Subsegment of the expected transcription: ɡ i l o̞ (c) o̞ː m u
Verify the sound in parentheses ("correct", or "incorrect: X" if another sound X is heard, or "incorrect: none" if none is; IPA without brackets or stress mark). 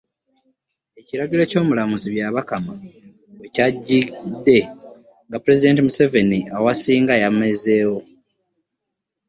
correct